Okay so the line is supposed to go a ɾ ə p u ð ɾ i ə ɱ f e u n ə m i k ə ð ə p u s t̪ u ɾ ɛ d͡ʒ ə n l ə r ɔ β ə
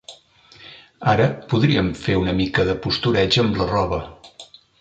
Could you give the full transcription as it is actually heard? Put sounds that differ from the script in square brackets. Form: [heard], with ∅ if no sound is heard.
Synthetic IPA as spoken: a ɾ ə p u ð ɾ i ə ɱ f e u n ə m i k ə ð ə p u s t̪ u ɾ ɛ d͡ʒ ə [m] l ə r ɔ β ə